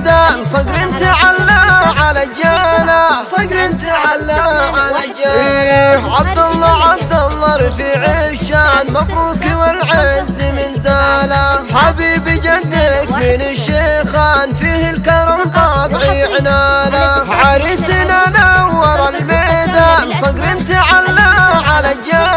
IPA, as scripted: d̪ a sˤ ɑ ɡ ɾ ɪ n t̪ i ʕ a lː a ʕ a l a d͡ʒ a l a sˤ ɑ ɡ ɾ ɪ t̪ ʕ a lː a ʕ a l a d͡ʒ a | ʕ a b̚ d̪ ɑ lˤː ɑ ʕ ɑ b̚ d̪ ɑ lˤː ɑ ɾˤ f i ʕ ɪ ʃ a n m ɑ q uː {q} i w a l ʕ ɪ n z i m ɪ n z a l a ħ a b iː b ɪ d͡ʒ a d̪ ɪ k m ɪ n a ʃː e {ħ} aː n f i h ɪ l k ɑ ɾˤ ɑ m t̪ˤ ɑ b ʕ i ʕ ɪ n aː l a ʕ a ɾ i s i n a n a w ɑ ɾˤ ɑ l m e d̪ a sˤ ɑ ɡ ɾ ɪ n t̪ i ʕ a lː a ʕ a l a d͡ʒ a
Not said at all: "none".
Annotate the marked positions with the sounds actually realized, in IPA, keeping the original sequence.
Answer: k, x

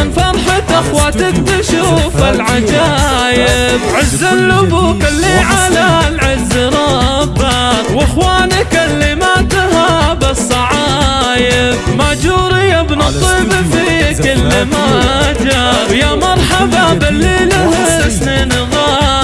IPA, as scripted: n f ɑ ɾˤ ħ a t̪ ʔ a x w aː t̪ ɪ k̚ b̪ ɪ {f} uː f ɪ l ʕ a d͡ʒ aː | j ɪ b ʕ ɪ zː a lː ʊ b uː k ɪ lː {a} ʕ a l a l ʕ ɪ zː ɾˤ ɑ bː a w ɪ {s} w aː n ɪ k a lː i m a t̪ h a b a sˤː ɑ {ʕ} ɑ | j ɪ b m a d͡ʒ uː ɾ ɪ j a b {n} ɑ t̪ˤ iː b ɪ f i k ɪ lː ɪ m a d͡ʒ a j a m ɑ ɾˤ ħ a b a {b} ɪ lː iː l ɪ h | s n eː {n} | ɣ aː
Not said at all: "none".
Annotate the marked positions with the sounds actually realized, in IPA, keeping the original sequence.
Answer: ʃ, i, x, ʕ, n, b, n

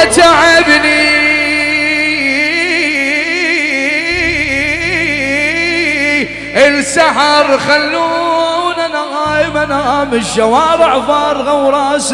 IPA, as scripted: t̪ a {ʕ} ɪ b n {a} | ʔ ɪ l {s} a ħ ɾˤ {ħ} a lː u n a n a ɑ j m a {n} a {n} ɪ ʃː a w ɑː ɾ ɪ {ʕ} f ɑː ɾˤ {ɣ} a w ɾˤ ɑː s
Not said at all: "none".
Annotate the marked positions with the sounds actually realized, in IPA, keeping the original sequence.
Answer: ʕ, i, s, x, n, m, ʕ, ɣ

